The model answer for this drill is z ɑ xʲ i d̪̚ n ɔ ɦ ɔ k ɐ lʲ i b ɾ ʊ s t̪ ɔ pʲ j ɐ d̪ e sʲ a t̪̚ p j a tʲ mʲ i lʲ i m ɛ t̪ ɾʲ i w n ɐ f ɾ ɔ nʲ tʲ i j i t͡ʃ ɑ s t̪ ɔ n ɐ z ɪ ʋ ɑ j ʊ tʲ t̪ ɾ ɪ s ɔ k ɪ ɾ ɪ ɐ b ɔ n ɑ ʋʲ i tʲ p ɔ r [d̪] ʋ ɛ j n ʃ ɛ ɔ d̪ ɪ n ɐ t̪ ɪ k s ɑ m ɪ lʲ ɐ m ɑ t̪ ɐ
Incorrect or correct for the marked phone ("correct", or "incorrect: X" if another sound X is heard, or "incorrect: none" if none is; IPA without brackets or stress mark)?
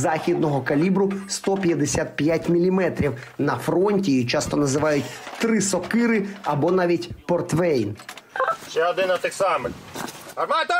incorrect: t̪